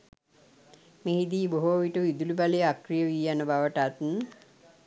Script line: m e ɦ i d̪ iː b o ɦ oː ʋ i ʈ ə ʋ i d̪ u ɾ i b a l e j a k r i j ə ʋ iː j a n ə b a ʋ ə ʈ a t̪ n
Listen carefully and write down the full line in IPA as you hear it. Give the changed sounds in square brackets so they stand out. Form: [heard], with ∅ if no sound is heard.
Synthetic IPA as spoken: m e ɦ i d̪ iː b o ɦ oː ʋ i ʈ ə ʋ i d̪ u [l] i b a l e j a k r i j ə ʋ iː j a n ə b a ʋ ə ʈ a t̪ n